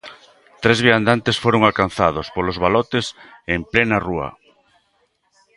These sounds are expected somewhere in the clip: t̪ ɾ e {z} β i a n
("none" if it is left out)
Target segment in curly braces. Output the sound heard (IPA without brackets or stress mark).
z